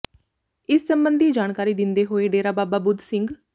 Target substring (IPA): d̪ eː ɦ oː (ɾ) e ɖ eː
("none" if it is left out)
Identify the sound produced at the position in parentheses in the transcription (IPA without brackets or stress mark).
none